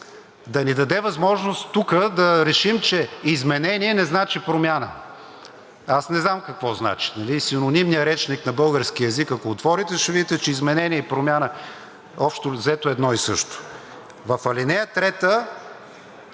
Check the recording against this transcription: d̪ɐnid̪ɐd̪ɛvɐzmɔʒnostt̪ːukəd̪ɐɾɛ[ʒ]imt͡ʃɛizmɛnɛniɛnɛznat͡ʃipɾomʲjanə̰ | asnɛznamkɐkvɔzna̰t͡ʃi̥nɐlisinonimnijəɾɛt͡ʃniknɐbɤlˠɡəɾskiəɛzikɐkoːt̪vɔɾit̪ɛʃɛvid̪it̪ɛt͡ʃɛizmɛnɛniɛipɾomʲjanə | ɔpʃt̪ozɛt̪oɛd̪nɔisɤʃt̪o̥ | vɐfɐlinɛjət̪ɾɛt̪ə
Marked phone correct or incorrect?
incorrect